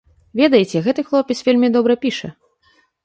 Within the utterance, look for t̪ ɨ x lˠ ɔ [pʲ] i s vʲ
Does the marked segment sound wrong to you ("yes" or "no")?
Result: no